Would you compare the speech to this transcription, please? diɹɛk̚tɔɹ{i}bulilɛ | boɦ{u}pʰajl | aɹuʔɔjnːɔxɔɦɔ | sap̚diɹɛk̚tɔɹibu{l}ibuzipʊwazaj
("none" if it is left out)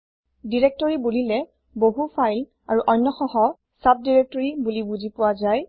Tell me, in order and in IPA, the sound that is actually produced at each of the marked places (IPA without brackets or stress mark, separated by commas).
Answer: i, u, l